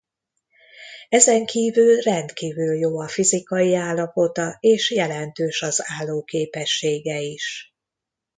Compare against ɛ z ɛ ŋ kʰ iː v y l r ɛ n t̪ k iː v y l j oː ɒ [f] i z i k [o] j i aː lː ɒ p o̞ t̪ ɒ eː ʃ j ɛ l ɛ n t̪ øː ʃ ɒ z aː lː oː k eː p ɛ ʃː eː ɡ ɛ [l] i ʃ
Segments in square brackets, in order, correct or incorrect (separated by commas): correct, incorrect, incorrect